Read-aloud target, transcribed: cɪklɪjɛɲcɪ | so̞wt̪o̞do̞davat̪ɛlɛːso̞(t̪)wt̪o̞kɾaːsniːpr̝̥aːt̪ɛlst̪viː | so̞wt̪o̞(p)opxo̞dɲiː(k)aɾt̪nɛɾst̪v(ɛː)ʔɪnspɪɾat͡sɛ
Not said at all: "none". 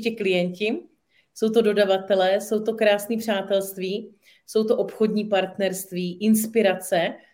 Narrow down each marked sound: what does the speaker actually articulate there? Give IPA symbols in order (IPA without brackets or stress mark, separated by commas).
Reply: none, ʔ, p, iː